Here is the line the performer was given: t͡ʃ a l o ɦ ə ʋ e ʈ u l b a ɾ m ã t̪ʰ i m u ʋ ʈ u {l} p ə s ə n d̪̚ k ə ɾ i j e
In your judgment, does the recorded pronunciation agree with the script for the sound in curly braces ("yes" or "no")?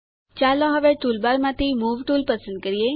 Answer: yes